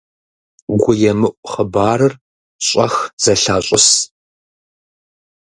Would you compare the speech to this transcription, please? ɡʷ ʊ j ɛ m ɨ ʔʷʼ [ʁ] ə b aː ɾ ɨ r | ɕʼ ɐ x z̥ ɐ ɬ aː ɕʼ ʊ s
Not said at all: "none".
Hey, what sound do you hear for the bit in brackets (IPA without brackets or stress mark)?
χ